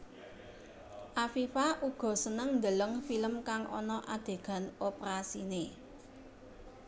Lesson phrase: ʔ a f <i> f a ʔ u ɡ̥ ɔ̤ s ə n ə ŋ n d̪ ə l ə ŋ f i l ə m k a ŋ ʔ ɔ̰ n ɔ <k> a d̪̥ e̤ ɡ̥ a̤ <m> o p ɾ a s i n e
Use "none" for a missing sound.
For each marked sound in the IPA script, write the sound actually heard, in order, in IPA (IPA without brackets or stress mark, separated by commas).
i, ʔ, n